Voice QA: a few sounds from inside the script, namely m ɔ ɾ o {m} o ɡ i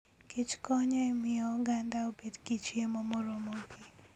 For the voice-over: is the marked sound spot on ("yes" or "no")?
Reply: yes